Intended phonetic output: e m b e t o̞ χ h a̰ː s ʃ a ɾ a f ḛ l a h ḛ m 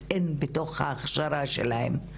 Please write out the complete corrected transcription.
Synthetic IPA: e n b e t o̞ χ h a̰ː χ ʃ a ɾ a ʃ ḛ l a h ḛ m

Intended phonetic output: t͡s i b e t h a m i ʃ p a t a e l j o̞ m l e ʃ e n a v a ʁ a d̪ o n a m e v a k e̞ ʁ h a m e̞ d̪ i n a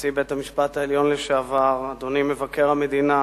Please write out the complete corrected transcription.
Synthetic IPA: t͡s i b e t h a m i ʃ p a t a e l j o̞ n l e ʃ e a v a ʁ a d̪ o n i m e v a k e̞ ʁ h a m e̞ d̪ i n a

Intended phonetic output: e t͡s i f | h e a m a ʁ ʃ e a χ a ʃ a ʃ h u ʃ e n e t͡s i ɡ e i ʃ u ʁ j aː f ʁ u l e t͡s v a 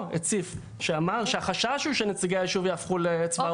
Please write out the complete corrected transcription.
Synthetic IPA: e t͡s i f | ʃ e a m a ʁ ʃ e a χ a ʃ a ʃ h u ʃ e n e t͡s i ɡ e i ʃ u v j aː f χ u l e t͡s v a

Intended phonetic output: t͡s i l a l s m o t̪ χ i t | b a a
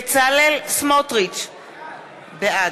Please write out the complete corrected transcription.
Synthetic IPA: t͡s a l e l s m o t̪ ʁ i t͡ʃ | b e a

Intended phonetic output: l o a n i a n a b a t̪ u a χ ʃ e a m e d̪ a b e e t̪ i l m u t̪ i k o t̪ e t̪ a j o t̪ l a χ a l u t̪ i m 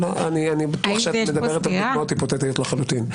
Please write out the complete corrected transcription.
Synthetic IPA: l o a n i a n i b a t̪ u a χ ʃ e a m e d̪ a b e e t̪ a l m o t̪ i p o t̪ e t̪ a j o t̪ l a χ a l u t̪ i n

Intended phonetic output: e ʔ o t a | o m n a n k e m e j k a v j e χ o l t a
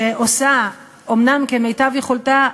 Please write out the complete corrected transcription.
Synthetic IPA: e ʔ o s a | o m n a m k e m e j t a v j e χ o l t a

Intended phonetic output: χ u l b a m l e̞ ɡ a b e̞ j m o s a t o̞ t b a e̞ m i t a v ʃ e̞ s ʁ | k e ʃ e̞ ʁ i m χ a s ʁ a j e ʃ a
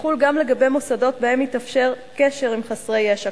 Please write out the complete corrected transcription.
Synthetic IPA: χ u l ɡ a m l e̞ ɡ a b e̞ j m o s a d o̞ t b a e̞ m i t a f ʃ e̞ ʁ | k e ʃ e̞ ʁ i m χ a s ʁ e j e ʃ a

